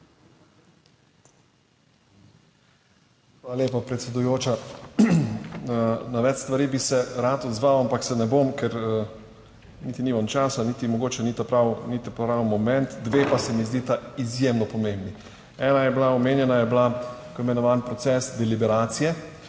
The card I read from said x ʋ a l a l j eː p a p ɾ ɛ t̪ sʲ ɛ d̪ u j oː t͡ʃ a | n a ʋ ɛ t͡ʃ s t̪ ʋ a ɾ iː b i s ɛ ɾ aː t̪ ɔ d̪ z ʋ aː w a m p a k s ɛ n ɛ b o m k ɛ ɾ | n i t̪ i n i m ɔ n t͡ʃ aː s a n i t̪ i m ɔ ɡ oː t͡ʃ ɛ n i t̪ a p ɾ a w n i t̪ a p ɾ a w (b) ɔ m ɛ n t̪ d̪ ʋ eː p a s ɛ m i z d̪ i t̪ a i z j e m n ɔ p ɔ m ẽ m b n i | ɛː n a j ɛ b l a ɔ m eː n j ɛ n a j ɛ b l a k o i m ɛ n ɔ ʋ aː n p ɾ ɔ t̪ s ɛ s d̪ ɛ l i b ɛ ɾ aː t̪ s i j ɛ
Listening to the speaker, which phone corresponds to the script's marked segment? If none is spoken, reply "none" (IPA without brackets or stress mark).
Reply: m